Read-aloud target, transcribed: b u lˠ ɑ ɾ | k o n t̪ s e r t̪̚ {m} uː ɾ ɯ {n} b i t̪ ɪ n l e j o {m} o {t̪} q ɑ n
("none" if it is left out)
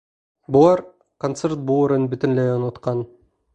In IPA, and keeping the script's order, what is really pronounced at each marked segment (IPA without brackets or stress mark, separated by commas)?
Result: b, n, n, t̪